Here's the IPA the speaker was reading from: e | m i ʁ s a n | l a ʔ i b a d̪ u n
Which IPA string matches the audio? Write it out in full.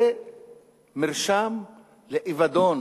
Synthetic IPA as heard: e | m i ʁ ʃ a m | l e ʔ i v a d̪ o n